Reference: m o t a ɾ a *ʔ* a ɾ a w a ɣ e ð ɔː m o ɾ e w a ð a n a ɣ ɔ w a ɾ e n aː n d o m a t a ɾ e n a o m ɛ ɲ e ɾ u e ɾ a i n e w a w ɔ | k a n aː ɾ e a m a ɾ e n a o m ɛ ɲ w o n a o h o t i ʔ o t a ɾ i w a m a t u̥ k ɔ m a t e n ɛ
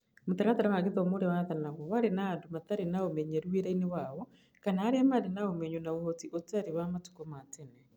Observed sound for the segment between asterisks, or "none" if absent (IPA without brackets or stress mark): t